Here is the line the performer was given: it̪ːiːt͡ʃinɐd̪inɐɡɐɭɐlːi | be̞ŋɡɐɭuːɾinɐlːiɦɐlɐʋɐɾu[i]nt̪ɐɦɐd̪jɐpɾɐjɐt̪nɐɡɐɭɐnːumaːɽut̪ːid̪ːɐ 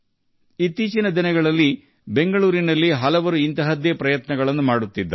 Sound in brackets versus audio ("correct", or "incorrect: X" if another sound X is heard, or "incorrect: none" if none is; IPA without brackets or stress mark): correct